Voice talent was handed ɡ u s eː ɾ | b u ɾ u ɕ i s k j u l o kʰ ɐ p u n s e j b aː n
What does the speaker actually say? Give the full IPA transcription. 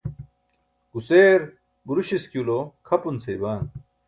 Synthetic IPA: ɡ u s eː ɾ | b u ɾ u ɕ i s k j u l o kʰ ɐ p u n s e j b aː n